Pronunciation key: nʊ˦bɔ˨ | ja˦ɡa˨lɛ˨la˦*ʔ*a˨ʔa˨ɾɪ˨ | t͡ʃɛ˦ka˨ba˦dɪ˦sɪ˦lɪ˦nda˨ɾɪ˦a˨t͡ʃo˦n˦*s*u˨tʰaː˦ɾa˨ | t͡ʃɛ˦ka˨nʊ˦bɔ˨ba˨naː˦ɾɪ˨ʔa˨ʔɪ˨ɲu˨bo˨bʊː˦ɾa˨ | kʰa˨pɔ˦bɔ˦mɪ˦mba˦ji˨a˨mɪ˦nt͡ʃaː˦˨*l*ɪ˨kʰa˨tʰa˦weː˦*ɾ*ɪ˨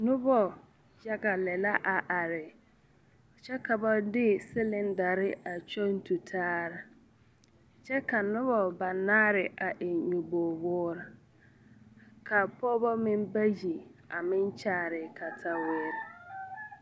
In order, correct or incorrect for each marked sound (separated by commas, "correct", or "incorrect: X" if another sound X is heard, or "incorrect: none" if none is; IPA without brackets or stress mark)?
correct, incorrect: t, incorrect: ɾ, correct